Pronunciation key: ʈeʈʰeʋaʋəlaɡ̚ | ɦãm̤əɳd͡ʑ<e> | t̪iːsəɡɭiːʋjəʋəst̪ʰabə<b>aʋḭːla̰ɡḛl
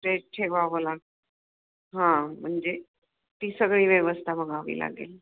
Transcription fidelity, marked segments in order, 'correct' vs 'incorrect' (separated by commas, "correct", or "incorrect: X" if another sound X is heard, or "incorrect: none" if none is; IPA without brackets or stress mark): correct, incorrect: ɡ